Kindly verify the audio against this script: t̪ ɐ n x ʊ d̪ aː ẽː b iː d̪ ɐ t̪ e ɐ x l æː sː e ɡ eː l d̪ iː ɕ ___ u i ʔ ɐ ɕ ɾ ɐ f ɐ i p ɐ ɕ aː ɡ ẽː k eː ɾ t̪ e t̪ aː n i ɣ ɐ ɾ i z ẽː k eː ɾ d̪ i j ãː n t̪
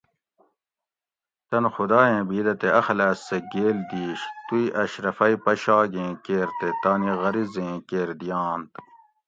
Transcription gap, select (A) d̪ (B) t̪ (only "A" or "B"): B